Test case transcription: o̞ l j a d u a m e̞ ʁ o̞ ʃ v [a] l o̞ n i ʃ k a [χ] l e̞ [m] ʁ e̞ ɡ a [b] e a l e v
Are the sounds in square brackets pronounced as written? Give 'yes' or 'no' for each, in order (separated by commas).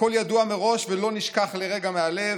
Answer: no, yes, no, no